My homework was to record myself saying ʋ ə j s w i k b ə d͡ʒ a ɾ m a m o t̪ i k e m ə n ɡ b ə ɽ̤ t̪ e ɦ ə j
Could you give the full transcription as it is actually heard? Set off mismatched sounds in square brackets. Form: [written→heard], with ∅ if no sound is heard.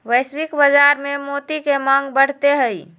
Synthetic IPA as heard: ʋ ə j s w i k b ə d͡ʒ a ɾ m [a→e] m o t̪ i k e m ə [n→ŋ] ɡ b ə ɽ̤ t̪ e ɦ ə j